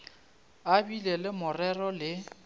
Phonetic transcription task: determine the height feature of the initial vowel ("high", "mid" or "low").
low